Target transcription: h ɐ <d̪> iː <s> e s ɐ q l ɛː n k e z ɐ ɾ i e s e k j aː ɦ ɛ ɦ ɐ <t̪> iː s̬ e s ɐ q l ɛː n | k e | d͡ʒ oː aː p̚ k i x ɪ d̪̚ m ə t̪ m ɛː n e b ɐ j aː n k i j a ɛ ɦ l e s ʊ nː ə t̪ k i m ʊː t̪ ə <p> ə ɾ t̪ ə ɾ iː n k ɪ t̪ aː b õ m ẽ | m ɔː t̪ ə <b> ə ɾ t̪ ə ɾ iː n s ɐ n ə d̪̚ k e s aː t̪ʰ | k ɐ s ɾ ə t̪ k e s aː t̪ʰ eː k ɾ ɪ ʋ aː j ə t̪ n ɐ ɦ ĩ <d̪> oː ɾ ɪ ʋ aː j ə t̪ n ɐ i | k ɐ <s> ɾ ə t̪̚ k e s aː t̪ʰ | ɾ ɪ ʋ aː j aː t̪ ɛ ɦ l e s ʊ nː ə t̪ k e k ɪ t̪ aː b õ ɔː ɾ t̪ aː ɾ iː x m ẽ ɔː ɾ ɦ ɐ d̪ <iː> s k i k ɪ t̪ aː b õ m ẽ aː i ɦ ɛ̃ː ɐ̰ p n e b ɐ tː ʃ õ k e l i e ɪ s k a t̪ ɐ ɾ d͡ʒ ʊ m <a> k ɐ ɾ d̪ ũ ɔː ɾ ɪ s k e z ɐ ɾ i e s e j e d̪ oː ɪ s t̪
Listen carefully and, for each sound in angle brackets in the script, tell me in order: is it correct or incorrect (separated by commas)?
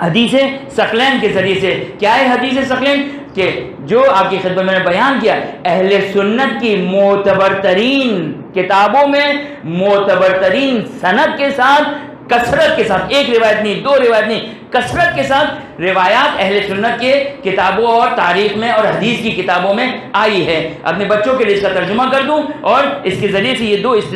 correct, correct, incorrect, incorrect, correct, correct, correct, correct, correct